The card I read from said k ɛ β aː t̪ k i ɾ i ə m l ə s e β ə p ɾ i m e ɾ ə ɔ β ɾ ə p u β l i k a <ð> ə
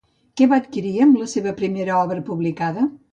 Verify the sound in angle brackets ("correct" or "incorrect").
correct